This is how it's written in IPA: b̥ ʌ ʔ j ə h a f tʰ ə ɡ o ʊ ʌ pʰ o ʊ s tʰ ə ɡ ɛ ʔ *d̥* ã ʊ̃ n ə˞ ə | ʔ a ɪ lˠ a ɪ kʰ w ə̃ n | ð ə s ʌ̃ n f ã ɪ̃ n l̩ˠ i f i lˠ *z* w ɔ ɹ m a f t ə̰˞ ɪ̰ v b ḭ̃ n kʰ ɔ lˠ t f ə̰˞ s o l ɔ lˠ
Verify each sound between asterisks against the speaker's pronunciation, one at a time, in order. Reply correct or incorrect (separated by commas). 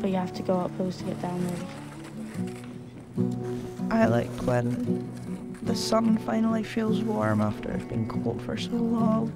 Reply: correct, correct